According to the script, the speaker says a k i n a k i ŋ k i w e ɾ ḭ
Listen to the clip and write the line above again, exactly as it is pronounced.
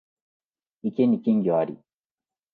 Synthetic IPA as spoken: i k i n i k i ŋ ɡ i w a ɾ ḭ